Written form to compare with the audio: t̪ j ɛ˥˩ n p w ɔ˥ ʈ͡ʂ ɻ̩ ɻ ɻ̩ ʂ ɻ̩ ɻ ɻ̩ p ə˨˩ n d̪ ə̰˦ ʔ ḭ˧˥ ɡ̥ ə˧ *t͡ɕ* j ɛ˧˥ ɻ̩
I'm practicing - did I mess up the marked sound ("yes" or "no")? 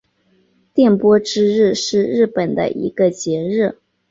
no